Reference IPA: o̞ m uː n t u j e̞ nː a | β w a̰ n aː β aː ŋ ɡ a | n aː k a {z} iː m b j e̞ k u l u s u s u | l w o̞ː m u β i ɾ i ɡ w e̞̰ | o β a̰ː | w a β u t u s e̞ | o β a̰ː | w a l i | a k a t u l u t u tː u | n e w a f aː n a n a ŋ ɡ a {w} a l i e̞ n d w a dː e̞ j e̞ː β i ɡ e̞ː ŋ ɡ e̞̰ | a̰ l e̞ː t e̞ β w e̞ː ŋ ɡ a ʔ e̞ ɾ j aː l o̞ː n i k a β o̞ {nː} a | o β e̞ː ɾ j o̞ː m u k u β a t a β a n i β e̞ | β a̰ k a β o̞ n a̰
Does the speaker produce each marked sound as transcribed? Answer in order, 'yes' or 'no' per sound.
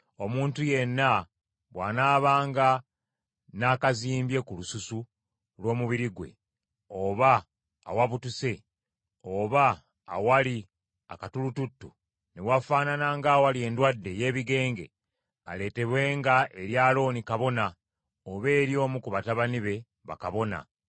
yes, yes, no

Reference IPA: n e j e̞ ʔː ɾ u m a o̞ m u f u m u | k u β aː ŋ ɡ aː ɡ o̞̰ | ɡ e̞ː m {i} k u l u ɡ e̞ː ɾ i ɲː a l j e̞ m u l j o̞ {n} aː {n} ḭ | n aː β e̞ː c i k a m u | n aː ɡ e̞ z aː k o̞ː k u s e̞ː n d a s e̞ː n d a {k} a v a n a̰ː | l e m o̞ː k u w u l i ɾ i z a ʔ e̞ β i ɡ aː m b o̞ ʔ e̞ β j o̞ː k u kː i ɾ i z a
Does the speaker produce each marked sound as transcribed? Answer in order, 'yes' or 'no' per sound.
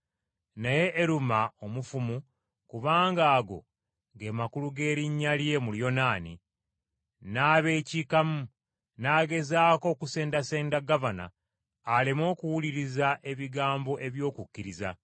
no, yes, yes, no

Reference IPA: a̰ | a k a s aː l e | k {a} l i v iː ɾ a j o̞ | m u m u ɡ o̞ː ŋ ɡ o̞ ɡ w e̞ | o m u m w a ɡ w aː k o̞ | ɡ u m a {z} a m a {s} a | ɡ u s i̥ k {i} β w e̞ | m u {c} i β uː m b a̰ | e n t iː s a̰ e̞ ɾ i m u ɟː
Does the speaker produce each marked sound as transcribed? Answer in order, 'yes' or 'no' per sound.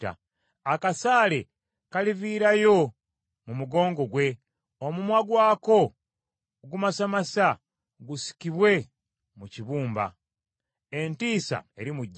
yes, no, yes, yes, yes

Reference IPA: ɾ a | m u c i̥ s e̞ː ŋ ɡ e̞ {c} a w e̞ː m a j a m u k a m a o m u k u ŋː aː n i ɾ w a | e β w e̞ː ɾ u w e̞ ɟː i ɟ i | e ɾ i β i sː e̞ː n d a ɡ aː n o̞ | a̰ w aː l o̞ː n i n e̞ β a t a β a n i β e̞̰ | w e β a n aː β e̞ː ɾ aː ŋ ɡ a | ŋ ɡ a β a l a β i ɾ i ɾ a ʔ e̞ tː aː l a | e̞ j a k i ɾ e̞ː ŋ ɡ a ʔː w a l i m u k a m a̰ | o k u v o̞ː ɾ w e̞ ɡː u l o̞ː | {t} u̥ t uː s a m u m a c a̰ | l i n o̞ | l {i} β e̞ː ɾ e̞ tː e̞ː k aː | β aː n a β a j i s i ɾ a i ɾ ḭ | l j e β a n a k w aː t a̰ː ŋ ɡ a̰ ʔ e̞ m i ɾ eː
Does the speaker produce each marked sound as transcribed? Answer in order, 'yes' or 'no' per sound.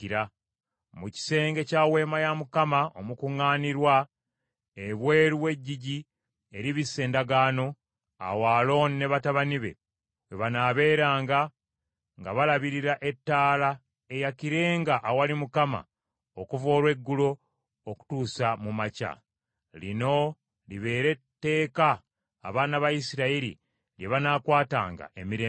yes, no, yes

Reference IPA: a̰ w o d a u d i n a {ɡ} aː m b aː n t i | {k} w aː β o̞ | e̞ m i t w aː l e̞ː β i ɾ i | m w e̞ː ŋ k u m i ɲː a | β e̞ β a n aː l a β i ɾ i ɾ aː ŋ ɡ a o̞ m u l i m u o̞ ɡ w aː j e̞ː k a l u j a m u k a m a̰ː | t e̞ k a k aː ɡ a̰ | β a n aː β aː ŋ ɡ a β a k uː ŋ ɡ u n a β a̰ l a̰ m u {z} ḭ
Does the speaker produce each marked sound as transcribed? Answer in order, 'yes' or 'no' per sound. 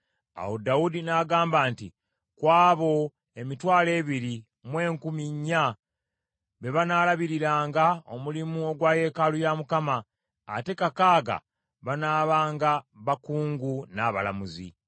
yes, yes, yes

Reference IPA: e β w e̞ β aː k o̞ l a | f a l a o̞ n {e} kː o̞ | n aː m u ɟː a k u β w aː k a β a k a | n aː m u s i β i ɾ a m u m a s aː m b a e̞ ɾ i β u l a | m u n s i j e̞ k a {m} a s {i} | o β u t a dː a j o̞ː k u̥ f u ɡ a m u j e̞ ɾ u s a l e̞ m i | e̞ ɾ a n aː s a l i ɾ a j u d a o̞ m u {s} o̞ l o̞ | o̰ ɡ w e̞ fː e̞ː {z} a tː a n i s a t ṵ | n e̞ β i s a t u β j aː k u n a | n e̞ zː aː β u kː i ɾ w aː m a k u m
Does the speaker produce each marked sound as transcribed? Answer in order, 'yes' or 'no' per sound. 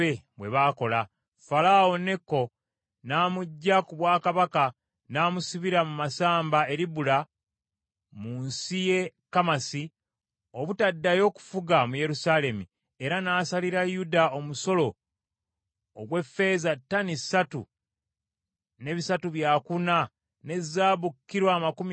yes, yes, yes, yes, yes

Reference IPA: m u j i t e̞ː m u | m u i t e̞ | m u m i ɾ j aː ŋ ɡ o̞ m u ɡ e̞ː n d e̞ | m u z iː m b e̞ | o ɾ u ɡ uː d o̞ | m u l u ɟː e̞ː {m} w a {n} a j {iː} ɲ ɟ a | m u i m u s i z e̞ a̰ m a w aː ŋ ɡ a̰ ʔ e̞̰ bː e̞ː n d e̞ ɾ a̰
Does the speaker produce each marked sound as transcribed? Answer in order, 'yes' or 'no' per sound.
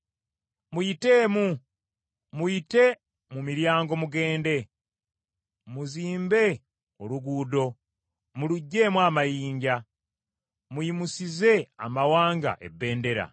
yes, no, yes

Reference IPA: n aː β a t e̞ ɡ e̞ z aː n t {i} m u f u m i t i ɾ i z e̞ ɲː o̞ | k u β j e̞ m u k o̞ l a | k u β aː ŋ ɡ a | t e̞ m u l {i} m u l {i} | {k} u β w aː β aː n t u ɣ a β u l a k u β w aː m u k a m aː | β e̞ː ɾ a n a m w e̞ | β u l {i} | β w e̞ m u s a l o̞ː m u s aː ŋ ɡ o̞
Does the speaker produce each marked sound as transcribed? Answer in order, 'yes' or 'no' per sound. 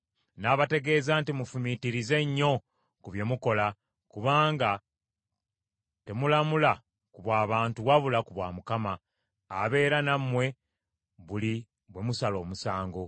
yes, no, no, yes, yes

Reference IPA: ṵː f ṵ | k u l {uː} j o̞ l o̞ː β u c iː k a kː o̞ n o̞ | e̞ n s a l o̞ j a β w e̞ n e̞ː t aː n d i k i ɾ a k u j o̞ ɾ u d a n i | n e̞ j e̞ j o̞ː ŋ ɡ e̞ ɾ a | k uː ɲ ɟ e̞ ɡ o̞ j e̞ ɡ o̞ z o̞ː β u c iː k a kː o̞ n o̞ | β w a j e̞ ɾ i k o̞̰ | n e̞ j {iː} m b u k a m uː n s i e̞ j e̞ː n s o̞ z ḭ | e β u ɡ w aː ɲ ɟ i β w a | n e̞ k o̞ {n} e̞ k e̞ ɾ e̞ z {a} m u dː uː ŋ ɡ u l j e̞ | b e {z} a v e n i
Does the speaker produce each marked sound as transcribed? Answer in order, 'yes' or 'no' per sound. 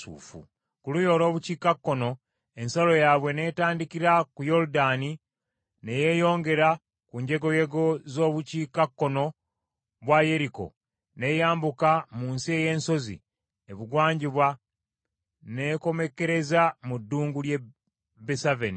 no, no, no, yes, no

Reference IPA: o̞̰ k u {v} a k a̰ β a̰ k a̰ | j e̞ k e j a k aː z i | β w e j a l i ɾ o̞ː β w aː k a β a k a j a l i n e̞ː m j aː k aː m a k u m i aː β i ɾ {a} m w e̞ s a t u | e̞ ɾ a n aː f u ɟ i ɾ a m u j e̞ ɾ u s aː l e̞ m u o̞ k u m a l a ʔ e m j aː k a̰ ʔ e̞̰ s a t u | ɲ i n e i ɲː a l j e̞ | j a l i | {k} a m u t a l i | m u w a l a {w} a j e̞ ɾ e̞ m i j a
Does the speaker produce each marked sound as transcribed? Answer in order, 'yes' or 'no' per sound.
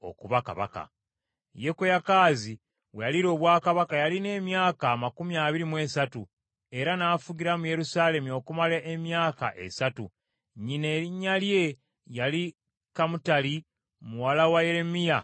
no, no, yes, yes

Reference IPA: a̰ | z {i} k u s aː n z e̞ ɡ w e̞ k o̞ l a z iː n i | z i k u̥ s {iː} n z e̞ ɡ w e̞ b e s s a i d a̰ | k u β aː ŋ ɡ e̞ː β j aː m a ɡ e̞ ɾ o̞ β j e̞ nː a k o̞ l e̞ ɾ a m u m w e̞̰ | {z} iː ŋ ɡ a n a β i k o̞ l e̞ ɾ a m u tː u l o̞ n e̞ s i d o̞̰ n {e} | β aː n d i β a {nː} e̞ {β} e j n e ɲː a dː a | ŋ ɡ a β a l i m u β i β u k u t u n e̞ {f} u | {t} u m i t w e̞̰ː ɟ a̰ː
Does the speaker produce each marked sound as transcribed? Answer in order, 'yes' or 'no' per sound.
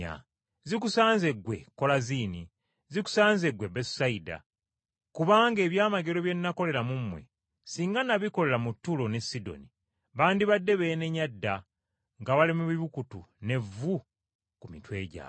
yes, no, no, no, no, yes, no, no

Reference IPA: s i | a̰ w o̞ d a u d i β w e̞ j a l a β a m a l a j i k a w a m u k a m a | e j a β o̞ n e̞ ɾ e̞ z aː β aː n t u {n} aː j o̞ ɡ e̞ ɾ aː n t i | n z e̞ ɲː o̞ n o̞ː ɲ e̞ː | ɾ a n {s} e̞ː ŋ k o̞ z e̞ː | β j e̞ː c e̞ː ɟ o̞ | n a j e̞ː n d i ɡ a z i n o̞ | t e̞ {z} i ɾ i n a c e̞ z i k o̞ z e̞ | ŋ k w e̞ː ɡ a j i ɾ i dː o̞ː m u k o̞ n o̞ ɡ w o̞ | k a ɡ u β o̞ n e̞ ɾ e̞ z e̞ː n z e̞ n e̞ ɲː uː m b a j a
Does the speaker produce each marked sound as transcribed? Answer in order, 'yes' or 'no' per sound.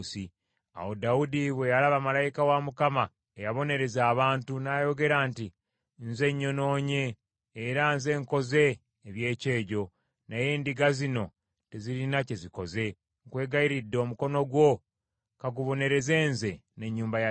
yes, no, yes

